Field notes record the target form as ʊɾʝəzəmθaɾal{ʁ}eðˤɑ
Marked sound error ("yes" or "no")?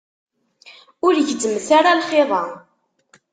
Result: yes